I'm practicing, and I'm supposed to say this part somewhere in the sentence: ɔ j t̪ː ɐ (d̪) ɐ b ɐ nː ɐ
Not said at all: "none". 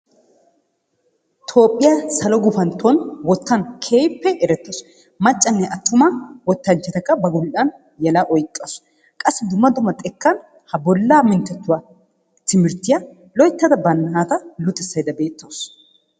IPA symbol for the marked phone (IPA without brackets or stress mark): d̪